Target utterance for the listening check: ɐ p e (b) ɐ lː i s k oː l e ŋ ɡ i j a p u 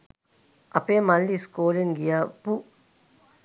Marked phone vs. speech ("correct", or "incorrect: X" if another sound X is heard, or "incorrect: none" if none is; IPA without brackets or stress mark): incorrect: m